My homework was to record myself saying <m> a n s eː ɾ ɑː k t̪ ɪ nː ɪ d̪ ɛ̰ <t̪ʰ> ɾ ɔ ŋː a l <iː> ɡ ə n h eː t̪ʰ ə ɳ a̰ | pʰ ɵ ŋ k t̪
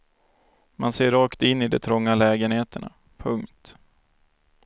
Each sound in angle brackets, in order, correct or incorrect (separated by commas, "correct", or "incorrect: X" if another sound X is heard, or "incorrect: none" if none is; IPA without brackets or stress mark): correct, correct, incorrect: ɛː